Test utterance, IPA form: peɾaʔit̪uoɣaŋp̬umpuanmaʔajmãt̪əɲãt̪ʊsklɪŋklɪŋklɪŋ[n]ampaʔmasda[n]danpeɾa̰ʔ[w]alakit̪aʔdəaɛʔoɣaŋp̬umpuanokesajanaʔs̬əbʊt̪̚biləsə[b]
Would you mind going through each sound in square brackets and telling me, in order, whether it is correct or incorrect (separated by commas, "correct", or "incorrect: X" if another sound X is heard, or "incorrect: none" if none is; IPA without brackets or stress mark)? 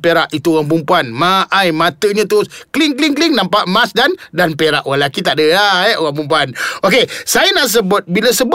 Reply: correct, correct, correct, correct